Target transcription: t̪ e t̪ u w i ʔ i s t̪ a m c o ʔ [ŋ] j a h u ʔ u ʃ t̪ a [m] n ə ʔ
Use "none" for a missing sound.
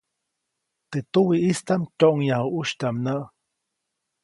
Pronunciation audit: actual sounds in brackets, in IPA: ŋ, m

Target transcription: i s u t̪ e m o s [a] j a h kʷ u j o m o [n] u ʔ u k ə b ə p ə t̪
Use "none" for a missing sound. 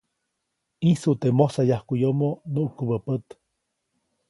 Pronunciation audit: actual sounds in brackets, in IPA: a, n

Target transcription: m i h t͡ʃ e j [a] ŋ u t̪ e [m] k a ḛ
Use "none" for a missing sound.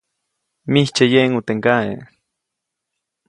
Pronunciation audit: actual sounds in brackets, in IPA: e, ŋ

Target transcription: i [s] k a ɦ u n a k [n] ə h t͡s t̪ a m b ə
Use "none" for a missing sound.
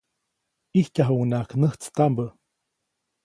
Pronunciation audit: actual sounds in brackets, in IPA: h, n

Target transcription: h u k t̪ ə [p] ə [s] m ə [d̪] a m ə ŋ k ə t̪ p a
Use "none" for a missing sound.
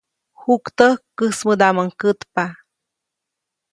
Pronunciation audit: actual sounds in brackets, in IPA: k, s, d̪

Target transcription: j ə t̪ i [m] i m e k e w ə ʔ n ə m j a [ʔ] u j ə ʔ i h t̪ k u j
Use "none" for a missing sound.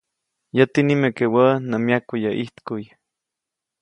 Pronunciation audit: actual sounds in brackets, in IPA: n, k

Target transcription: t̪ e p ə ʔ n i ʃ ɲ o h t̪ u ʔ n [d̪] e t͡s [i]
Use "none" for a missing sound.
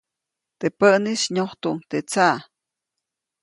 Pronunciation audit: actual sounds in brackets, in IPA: t̪, a

